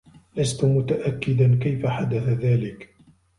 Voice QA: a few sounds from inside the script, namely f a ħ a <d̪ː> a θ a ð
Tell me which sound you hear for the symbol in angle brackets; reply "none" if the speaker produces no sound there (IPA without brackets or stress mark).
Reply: d̪